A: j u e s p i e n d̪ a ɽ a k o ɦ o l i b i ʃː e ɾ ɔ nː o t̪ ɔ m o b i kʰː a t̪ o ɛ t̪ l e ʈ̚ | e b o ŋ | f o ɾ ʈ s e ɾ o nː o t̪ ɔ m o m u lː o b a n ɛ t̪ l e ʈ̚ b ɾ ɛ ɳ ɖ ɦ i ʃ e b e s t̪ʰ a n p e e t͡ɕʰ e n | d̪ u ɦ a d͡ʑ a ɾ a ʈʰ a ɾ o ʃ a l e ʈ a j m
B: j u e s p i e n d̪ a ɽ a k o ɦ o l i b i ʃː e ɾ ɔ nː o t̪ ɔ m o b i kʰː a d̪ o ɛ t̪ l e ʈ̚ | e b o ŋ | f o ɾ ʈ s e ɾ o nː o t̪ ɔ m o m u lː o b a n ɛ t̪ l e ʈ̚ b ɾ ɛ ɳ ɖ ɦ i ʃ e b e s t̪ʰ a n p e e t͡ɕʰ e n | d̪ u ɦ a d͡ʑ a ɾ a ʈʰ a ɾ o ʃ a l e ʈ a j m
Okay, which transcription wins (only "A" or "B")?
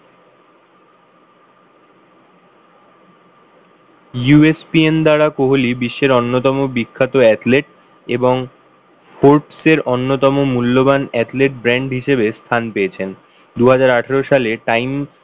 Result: A